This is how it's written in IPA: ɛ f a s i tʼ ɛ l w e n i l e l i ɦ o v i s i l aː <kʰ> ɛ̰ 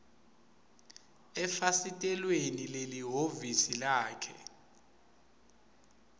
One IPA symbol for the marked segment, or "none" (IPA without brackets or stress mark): kʰ